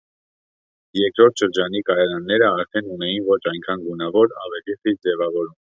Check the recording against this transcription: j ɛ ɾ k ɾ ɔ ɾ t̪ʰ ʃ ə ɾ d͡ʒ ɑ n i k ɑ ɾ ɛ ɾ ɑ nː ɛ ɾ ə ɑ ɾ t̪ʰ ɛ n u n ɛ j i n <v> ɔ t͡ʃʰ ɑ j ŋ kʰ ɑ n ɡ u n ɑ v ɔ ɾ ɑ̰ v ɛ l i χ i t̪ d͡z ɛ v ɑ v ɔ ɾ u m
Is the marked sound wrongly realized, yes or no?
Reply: no